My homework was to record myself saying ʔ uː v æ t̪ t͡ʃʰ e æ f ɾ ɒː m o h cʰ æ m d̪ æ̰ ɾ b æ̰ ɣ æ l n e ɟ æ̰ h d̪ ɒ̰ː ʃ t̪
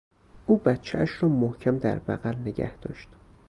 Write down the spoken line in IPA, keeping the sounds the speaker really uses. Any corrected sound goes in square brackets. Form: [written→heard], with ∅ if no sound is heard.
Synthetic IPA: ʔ uː [v→b] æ t̪ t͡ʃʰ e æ [f→ʃ] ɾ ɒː m o h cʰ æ m d̪ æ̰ ɾ b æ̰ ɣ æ l n e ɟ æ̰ h d̪ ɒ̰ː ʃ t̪